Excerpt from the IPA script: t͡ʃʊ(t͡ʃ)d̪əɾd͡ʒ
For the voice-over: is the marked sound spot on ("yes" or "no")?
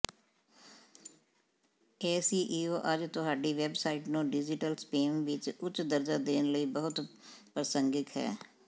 yes